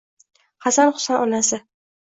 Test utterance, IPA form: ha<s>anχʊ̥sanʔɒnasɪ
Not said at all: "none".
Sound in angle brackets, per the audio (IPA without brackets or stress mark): s